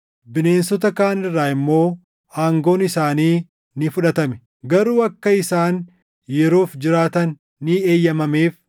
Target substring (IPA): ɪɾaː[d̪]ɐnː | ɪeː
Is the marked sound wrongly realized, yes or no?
yes